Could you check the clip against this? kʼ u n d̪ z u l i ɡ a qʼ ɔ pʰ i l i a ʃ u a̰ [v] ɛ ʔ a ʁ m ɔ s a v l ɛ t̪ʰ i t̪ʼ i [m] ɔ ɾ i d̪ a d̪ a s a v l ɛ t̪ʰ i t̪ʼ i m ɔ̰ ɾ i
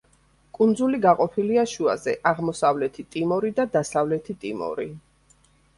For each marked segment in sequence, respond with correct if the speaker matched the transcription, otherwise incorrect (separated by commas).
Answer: incorrect, correct